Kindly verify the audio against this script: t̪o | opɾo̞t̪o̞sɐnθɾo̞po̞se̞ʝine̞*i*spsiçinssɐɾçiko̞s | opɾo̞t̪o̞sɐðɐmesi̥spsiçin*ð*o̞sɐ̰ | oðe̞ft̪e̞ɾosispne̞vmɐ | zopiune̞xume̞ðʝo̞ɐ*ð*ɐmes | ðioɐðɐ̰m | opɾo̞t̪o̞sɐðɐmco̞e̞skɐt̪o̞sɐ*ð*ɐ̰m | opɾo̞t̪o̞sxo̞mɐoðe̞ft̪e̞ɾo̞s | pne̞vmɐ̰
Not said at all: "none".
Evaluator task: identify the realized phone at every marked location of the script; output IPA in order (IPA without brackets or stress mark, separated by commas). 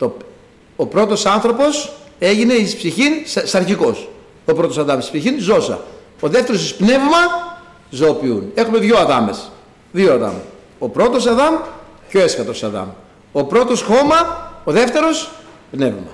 i, z, ð, ð